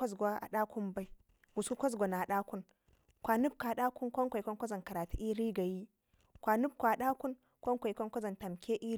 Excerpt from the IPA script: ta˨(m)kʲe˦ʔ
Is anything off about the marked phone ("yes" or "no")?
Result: no